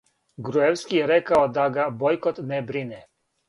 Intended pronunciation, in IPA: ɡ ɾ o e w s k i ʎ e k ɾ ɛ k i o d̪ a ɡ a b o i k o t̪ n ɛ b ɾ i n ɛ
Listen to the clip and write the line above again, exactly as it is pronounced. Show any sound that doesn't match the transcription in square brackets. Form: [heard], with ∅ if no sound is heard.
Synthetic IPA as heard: ɡ ɾ [u] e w s k i [j] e [∅] ɾ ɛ k [a] o d̪ a ɡ a b o [j] k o t̪ n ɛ b ɾ i n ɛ